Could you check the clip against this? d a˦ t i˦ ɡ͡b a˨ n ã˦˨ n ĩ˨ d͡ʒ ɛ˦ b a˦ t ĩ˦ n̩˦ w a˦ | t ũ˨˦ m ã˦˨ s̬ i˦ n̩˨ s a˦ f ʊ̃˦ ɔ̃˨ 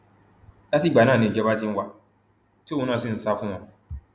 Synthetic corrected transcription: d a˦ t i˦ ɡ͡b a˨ n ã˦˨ n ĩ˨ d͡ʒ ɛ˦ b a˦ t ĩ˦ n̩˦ w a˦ | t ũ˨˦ n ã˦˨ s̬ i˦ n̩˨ s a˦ f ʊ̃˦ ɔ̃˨